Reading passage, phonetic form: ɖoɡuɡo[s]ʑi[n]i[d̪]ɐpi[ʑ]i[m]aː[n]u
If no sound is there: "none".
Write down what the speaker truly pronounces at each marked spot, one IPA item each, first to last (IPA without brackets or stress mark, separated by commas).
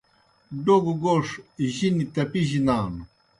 ʂ, n, t̪, ʑ, n, n